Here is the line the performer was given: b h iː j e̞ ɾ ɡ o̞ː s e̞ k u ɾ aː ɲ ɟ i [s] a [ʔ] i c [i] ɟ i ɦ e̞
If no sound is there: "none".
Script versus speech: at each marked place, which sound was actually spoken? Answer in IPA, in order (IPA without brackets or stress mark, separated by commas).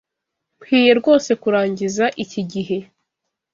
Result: z, ʔ, i